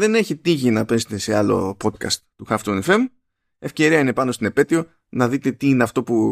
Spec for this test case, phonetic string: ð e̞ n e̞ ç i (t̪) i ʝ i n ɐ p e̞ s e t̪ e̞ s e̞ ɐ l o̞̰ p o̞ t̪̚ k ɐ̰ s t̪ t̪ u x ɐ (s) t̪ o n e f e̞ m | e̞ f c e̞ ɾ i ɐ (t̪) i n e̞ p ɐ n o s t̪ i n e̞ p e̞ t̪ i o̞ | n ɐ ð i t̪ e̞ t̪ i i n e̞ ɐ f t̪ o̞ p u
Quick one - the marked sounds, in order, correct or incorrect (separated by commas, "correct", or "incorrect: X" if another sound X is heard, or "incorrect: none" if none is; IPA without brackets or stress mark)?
correct, incorrect: f, incorrect: none